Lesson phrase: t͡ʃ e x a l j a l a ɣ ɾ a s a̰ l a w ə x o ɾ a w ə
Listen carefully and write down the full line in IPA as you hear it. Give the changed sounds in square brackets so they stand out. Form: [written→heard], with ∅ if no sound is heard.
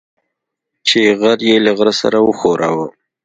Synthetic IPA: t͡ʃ e [x→ɣ] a [l→ɾ] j [a→e] l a ɣ ɾ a s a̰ [l→ɾ] a w ə x o ɾ a w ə